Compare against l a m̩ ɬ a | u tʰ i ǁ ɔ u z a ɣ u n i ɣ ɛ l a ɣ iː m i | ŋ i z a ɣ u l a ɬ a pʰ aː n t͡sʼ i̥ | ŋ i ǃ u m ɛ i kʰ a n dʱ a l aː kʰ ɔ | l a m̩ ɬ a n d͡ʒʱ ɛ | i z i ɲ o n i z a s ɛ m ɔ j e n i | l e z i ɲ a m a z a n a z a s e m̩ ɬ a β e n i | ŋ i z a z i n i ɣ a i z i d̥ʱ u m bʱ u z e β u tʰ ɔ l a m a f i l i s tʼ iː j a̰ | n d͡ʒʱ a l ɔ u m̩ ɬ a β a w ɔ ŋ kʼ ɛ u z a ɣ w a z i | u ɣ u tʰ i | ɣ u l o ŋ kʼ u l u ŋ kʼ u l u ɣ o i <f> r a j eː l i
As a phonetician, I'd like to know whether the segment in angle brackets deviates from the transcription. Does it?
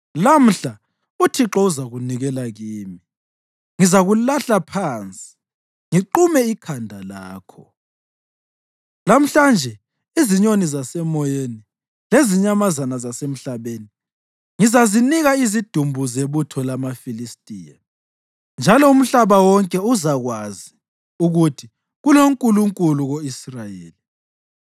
yes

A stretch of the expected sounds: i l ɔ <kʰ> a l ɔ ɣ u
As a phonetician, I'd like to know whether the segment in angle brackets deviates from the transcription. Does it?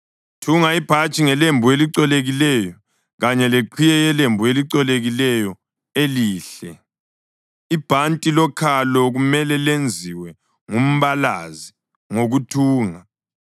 no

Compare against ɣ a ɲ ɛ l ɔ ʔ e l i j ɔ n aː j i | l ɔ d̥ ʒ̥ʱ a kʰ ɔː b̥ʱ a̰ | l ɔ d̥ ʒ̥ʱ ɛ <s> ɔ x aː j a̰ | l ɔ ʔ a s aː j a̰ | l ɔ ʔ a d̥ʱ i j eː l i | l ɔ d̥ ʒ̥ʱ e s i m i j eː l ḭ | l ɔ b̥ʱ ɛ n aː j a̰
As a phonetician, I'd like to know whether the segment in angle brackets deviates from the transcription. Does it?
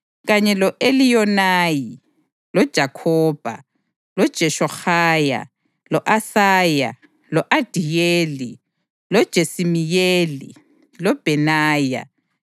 yes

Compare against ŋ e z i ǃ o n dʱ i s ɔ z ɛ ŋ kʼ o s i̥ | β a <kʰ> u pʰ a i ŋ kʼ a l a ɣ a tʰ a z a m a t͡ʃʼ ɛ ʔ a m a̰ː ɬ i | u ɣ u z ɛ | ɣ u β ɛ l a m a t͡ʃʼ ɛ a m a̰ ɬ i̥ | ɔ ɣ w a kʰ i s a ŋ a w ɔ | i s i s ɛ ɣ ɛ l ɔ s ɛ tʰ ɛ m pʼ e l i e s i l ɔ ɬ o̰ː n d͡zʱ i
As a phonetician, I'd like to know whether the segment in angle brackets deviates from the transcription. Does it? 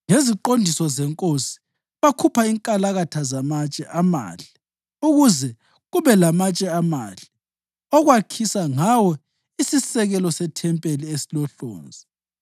no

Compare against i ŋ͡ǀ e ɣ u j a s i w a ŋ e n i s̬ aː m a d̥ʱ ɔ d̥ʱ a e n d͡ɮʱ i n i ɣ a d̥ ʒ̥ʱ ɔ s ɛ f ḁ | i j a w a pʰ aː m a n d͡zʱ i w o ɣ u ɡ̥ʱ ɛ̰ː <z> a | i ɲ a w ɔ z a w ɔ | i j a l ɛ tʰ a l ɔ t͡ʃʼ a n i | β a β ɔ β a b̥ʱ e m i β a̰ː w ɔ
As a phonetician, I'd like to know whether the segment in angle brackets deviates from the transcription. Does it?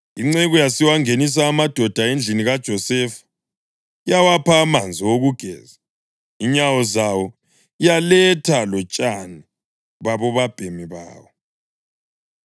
no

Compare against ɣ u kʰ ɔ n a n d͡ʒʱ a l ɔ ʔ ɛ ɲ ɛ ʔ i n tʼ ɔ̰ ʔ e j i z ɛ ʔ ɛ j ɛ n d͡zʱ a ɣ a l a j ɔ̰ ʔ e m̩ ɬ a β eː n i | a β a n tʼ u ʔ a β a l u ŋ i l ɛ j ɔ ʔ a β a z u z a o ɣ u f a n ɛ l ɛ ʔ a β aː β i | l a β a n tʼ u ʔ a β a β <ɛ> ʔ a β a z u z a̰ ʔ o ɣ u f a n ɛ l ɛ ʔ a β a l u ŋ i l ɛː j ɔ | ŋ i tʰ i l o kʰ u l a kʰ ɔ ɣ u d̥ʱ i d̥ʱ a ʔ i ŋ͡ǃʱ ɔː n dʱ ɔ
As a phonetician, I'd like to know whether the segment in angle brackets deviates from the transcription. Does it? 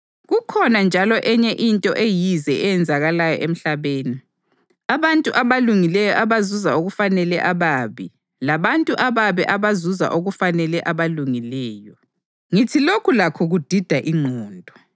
no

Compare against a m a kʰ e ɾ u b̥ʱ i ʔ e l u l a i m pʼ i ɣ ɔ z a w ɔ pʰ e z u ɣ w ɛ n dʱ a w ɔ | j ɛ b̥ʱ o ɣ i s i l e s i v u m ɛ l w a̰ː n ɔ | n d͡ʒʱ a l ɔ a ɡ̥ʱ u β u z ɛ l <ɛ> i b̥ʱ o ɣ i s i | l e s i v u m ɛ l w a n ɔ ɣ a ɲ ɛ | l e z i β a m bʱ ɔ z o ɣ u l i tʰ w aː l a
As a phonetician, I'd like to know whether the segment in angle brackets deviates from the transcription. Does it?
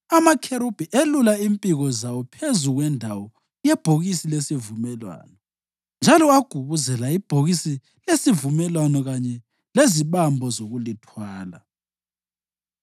yes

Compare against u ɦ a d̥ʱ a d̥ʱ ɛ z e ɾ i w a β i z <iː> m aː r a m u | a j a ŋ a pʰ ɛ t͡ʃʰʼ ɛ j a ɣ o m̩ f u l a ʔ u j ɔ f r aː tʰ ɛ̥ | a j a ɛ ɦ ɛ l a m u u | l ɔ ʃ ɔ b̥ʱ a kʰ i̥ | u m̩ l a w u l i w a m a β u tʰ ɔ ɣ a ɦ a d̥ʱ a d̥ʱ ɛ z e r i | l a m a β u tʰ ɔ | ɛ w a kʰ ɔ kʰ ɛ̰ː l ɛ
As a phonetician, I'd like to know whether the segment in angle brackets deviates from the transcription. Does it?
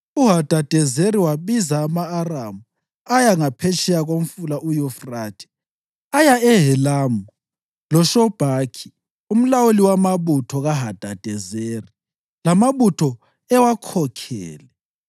yes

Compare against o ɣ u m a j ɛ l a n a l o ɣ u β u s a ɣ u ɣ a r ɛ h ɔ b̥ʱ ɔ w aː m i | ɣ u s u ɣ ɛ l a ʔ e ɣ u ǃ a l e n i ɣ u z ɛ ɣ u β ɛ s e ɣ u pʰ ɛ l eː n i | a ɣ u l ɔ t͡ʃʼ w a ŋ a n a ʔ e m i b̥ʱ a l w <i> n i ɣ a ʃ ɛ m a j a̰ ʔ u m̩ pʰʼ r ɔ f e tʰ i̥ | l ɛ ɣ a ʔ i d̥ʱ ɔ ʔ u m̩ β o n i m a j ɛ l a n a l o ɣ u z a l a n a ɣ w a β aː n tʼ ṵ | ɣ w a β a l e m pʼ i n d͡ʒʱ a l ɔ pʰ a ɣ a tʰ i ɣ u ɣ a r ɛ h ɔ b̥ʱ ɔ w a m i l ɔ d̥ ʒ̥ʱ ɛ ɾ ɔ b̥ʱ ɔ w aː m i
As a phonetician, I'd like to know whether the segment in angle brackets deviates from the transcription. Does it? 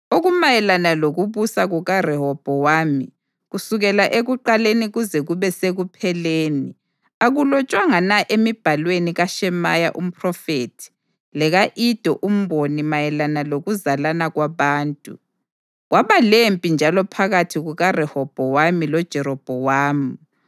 yes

